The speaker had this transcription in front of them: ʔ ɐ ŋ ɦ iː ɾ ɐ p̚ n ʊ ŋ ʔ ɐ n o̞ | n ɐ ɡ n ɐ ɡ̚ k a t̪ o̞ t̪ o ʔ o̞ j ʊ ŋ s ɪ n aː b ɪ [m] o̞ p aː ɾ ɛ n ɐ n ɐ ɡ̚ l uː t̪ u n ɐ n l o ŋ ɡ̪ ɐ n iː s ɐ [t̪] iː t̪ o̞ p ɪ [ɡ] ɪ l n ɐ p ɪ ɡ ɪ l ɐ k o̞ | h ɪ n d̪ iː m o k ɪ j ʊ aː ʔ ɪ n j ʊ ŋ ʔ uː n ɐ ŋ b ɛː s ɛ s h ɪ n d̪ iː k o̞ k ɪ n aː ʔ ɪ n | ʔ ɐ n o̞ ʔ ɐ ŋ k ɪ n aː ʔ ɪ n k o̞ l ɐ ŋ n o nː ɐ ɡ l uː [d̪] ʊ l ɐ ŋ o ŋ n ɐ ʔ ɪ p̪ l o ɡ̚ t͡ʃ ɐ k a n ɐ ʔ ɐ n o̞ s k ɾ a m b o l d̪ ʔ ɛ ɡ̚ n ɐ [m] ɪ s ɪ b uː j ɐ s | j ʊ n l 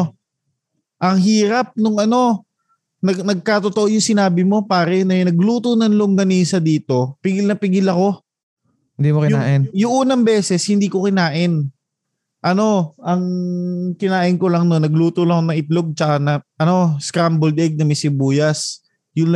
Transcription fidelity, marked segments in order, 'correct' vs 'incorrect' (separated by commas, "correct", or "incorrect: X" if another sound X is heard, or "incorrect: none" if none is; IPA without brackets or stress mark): correct, incorrect: d̪, correct, incorrect: t̪, correct